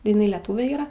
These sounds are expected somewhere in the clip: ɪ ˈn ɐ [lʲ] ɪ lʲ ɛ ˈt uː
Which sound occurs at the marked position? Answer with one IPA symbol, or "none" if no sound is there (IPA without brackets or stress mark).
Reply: none